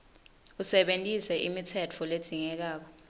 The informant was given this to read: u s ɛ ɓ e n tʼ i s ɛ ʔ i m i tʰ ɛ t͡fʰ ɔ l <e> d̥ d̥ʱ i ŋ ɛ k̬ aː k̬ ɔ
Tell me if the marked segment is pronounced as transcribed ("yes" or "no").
yes